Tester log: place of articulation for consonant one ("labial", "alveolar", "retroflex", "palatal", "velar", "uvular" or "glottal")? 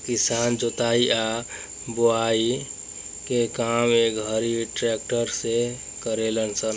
velar